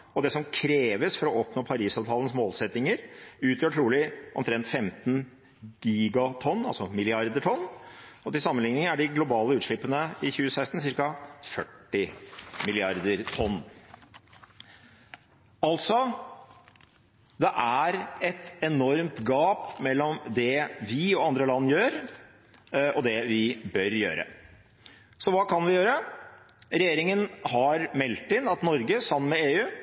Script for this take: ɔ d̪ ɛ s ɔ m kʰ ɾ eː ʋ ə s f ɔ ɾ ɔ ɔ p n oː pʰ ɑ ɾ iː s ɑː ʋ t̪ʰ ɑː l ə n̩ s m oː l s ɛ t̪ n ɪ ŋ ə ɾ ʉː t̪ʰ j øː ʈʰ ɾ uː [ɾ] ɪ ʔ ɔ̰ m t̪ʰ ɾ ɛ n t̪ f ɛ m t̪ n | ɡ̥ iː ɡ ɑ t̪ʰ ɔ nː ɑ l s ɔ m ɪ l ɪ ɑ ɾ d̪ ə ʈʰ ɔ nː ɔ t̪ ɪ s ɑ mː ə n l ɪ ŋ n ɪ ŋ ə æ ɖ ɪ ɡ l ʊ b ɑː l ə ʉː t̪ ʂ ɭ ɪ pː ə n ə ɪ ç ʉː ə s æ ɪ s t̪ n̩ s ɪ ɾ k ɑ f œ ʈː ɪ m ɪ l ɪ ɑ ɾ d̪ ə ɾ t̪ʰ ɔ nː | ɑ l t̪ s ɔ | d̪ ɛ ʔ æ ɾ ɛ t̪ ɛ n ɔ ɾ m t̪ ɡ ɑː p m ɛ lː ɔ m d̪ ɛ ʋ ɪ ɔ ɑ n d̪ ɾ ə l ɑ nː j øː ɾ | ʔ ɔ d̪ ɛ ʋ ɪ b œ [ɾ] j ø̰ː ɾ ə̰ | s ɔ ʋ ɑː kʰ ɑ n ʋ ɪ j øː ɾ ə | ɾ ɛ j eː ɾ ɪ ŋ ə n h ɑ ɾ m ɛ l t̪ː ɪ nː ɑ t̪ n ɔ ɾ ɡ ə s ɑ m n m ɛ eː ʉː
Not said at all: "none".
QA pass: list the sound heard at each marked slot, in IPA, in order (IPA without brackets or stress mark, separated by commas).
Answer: l, ɾ